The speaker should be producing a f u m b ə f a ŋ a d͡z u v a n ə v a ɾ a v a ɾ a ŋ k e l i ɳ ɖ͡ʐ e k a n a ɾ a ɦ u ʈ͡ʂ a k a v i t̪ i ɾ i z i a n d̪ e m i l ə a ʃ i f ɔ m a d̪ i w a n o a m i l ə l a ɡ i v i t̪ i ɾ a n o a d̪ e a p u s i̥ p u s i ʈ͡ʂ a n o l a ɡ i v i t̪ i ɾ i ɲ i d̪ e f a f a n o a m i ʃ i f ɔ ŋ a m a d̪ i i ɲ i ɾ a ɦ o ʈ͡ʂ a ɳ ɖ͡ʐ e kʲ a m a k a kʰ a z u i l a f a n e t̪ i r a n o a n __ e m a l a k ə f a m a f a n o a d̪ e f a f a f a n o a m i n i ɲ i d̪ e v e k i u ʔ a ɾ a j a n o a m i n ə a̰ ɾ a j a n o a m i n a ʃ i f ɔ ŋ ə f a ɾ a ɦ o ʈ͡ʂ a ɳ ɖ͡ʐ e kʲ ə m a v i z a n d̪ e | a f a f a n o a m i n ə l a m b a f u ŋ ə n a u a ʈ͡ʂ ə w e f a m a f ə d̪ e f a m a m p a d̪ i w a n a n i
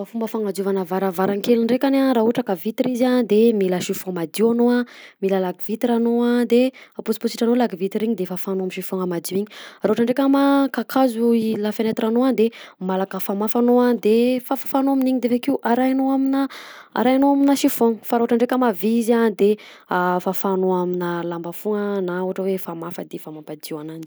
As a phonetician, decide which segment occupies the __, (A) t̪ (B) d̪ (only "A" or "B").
B